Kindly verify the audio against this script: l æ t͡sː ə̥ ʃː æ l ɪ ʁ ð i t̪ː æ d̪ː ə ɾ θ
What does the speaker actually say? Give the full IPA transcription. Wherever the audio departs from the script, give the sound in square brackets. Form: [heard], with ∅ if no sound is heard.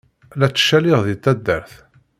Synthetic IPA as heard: l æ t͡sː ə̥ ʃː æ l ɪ ʁ ð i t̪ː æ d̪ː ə ɾ θ